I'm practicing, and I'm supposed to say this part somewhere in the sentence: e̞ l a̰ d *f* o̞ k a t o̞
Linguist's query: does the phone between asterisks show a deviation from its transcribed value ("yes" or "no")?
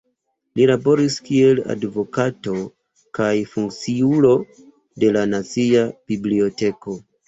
yes